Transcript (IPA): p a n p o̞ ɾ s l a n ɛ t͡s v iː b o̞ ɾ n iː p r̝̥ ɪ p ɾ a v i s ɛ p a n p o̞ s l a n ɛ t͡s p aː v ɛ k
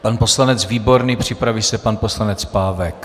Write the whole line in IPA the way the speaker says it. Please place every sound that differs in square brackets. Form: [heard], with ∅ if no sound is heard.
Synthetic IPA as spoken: p a n p o̞ [∅] s l a n ɛ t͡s v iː b o̞ ɾ n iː p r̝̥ ɪ p ɾ a v i s ɛ p a n p o̞ s l a n ɛ t͡s p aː v ɛ k